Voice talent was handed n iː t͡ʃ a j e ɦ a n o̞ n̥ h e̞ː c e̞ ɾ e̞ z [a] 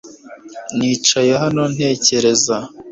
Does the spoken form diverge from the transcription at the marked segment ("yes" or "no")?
no